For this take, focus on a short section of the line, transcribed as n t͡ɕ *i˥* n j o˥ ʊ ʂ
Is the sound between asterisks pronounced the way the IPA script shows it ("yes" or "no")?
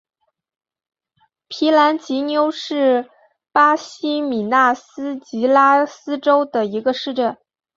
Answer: no